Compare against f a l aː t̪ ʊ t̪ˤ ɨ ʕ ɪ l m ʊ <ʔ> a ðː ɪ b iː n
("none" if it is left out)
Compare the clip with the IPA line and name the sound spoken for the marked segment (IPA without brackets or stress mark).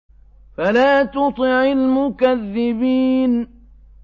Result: k